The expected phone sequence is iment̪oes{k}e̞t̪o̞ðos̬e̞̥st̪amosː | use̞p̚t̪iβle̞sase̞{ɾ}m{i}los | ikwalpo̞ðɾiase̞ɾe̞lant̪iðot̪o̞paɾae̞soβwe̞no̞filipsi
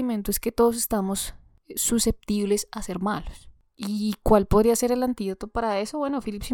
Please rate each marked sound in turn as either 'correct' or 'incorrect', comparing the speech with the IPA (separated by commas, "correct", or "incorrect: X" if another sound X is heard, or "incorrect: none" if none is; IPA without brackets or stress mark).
correct, correct, incorrect: a